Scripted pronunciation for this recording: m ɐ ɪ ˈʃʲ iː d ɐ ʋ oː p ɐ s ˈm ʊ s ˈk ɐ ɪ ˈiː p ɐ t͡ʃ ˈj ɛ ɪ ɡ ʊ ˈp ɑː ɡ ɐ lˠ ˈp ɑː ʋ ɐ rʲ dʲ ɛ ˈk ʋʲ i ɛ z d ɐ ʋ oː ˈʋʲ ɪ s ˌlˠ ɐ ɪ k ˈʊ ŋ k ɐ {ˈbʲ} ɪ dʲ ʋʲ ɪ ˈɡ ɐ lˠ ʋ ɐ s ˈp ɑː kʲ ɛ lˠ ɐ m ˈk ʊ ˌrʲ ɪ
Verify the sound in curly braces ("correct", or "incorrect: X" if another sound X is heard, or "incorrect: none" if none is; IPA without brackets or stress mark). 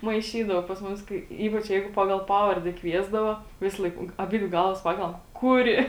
correct